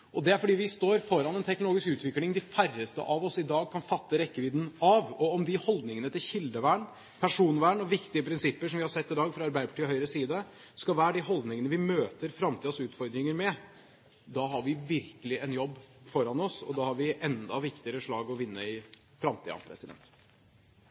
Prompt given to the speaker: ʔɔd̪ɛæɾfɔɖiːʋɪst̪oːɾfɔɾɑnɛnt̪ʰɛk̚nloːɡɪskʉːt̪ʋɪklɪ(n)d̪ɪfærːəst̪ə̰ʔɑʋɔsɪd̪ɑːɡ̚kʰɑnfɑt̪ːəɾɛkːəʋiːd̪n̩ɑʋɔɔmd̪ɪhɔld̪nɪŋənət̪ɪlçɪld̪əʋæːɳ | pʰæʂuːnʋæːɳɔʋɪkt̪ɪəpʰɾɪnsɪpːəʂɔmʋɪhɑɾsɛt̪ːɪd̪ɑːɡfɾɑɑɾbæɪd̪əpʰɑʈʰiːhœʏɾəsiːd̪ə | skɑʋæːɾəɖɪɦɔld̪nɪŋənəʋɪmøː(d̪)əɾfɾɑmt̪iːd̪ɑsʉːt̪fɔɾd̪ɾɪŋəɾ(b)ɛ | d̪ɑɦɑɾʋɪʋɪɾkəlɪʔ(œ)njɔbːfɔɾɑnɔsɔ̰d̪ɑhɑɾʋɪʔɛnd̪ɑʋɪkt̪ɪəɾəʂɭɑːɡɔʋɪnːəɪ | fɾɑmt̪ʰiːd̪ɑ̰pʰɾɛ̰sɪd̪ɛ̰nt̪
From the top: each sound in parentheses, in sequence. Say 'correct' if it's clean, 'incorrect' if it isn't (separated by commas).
incorrect, incorrect, incorrect, incorrect